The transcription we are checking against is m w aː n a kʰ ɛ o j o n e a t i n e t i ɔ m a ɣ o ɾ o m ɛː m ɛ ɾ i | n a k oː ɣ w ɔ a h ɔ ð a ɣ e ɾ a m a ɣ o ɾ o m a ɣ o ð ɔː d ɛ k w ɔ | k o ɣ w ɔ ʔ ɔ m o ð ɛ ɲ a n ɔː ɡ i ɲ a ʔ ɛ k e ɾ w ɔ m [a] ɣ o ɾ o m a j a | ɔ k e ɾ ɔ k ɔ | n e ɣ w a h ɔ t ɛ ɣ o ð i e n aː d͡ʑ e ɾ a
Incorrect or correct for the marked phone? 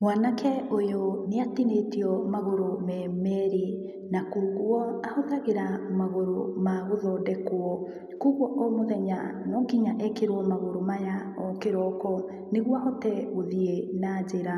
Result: correct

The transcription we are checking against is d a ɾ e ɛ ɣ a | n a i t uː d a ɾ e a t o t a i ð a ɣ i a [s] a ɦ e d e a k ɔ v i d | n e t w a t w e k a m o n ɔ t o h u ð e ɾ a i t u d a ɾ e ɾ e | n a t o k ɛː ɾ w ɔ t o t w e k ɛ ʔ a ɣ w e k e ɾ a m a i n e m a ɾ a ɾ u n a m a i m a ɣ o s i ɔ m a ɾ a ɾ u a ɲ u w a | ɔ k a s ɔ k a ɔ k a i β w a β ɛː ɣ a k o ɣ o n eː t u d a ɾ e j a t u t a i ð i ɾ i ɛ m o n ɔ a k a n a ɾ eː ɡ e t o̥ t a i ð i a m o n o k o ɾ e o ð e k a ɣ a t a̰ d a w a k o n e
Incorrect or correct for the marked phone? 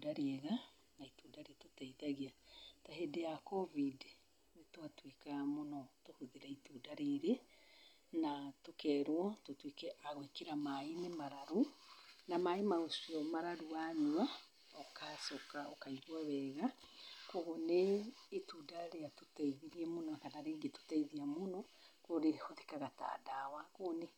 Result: incorrect: t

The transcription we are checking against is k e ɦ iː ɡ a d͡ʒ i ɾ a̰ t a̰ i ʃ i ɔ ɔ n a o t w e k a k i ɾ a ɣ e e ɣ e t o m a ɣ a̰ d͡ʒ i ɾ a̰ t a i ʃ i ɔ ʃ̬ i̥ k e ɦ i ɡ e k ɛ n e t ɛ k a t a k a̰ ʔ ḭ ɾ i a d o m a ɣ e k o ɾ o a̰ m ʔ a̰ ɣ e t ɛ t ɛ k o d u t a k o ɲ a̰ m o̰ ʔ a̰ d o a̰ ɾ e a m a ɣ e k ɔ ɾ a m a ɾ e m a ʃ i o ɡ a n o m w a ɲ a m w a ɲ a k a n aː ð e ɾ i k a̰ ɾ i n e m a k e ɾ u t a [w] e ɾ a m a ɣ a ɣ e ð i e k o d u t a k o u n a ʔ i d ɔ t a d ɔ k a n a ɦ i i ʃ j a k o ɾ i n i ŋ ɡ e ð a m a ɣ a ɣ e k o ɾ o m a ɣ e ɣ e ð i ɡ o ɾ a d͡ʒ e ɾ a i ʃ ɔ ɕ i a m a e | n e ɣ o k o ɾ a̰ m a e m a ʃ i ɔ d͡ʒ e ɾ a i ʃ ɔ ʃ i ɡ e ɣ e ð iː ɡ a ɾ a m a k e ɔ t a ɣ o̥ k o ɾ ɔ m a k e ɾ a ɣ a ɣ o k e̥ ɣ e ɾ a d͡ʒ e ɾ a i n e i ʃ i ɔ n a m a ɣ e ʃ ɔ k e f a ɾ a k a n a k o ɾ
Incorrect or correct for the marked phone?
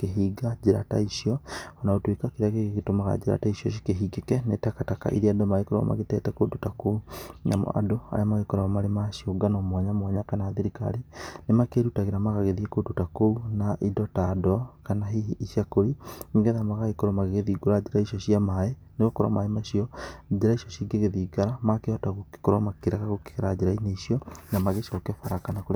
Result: incorrect: ɣ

